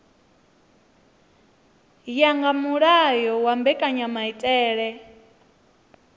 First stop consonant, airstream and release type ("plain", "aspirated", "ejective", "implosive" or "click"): plain